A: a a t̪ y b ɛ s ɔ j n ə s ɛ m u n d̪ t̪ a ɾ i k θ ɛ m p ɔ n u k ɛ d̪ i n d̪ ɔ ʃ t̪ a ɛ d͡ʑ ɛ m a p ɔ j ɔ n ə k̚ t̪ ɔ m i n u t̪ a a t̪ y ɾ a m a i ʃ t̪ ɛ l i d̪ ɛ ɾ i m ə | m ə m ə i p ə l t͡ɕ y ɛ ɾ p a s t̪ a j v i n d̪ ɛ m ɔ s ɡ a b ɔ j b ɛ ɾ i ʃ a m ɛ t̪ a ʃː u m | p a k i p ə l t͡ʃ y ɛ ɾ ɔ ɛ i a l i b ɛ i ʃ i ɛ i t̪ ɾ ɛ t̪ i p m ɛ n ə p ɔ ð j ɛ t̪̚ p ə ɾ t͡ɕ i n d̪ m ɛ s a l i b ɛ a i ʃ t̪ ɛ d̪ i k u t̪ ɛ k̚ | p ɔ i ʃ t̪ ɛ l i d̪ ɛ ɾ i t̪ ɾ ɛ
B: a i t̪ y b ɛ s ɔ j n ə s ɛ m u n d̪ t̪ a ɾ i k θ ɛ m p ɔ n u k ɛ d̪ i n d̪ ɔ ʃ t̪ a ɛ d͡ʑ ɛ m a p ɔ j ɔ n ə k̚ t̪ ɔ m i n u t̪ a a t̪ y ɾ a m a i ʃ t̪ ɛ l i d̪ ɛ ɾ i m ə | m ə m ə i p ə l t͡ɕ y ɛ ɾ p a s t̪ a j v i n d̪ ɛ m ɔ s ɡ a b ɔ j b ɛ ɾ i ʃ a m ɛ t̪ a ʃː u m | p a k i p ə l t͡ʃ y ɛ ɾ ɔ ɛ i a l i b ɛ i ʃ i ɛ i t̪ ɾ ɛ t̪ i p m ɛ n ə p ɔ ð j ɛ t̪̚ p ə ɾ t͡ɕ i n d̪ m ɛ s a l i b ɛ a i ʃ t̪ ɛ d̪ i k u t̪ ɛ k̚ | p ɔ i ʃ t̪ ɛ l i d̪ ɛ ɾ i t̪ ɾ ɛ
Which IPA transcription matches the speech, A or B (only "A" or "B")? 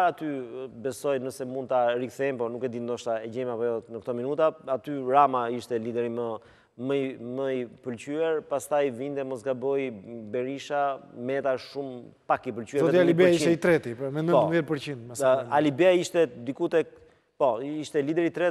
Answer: A